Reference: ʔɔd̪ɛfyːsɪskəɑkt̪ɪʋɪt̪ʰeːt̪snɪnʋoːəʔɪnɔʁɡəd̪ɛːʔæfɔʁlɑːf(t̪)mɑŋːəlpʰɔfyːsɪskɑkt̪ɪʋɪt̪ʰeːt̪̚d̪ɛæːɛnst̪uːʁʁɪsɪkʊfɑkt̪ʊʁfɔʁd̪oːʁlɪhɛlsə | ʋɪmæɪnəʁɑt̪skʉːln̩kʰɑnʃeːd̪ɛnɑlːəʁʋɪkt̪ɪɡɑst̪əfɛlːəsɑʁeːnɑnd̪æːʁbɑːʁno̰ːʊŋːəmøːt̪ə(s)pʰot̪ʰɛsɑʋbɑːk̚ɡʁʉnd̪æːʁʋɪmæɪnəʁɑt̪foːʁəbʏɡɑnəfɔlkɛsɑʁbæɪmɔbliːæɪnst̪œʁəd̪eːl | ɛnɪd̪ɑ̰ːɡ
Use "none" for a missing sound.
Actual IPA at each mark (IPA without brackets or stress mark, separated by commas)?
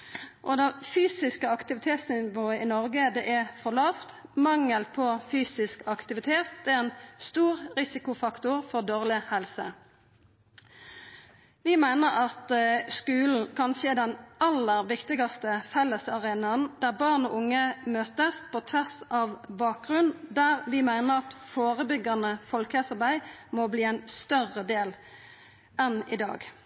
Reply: t̪, s